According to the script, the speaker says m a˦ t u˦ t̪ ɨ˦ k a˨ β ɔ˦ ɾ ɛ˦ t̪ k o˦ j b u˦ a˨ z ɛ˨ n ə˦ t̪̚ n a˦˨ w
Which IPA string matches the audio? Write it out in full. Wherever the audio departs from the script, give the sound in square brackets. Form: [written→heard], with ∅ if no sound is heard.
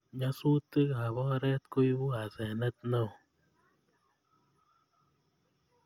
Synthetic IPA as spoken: [m→ɲ] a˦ [t→s] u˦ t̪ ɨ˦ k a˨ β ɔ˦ ɾ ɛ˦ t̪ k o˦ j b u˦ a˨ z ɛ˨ n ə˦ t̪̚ n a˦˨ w

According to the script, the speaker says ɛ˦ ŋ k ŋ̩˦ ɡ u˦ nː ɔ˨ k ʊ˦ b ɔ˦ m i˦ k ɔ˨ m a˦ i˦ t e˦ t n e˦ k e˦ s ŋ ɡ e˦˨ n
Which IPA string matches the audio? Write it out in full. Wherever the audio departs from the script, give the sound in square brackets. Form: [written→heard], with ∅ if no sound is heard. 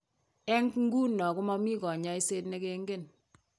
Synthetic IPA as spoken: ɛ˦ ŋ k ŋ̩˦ ɡ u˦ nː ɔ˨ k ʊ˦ [b→m] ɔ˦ m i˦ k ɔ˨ [m→ɲ] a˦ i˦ [t→s] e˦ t n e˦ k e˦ [s→∅] ŋ ɡ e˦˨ n

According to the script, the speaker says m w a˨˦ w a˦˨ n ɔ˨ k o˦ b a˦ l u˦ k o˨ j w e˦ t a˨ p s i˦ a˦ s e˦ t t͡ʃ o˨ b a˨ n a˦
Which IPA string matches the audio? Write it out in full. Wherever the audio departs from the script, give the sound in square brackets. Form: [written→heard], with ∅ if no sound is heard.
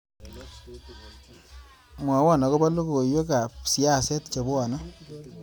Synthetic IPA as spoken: m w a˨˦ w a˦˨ n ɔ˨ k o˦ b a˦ l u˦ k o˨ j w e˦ [t→k] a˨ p s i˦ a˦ s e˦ t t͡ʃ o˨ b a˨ n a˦

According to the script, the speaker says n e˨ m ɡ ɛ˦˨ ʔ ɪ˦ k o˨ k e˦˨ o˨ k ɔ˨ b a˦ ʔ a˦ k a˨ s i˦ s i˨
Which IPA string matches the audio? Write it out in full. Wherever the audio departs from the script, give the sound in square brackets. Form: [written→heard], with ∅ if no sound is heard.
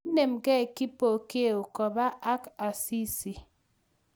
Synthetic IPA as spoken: n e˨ m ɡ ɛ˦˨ [ʔ→k] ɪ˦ [k→p] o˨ k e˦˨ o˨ k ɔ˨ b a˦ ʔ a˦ k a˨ s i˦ s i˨

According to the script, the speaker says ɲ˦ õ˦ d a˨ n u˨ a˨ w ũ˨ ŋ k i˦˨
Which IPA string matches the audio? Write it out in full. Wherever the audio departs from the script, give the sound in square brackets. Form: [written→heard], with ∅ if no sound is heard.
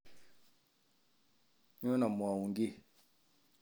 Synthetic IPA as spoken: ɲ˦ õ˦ [d→n] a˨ [n→m] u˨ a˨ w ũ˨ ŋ [k→ɡ] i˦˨

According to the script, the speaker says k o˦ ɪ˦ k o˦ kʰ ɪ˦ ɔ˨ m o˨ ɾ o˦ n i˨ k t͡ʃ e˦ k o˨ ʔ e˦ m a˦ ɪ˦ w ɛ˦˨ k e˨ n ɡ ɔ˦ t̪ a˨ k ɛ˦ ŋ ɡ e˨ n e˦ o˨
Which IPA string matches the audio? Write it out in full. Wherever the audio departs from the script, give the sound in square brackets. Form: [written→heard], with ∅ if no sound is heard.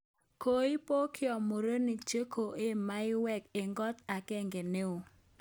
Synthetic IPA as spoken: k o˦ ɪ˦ [k→p] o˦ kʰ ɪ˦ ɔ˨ m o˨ ɾ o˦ n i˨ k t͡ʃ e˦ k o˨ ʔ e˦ m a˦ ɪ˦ w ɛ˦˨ k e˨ [n→ŋ] ɡ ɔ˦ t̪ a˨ k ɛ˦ ŋ ɡ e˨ n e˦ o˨

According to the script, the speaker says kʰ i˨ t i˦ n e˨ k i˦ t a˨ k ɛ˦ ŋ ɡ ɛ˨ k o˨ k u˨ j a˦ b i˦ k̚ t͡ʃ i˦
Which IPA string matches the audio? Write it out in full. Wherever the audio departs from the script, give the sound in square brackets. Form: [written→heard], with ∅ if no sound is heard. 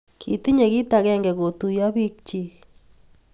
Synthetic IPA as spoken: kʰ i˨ t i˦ [n→ɲ] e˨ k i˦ t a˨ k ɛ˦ ŋ ɡ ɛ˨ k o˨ [k→t] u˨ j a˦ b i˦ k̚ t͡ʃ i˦

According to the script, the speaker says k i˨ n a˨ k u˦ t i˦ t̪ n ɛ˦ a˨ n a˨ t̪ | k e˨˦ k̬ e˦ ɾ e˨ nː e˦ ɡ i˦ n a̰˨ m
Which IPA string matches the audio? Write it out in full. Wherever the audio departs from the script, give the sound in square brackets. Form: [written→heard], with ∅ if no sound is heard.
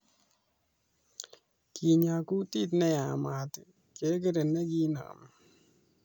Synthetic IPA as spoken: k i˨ [n→ɲ] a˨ k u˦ t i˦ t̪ n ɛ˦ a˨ [n→m] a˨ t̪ | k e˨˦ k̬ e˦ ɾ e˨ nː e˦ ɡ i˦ n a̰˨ m

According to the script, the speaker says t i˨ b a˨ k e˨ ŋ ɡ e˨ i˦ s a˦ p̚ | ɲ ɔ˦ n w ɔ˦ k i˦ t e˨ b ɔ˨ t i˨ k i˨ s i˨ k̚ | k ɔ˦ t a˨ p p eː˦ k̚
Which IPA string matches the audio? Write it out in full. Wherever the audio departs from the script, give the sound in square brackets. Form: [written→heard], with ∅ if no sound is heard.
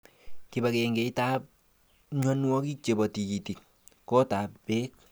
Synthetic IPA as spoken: [t→k] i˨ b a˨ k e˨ ŋ ɡ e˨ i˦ [s→t] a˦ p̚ | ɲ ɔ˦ n w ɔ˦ k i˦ [t→t͡ʃ] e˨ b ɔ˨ t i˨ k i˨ [s→t] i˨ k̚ | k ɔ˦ t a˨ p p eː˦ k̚

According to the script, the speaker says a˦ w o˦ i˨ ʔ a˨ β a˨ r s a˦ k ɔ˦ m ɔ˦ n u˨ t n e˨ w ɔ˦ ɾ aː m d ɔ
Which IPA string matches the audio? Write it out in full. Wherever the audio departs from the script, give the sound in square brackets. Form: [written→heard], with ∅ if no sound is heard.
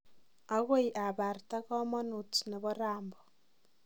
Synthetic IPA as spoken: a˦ [w→ɣ] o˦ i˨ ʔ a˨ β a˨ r [s→t] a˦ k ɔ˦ m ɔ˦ n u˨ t n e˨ [w→β] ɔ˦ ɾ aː m [d→b] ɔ

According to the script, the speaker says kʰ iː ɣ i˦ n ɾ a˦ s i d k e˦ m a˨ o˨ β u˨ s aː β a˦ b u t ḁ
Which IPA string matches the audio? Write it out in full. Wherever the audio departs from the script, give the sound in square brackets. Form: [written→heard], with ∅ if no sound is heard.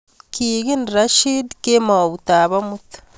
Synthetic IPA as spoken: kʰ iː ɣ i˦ n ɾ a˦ [s→ʃ] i d k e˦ m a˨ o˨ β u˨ [s→t] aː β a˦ [b→m] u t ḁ

